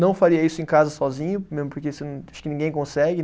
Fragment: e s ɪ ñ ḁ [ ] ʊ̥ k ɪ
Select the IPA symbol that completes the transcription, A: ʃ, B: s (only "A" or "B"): A